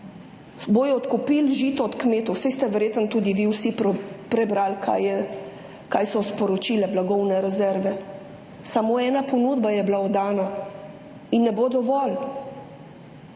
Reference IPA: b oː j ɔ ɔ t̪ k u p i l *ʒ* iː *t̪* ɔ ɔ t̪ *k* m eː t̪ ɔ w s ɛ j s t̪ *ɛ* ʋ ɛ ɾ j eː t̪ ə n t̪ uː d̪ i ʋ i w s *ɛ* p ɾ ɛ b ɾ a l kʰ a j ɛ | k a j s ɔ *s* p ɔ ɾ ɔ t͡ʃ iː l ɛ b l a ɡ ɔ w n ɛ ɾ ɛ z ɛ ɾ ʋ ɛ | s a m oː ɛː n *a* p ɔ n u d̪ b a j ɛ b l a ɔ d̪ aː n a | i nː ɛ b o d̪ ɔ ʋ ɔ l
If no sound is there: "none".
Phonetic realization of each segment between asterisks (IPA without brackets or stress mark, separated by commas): ʒ, t̪, k, ɛ, i, s, a